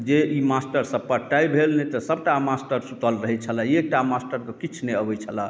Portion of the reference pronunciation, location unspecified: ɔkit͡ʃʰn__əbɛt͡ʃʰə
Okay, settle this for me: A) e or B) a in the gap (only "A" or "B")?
A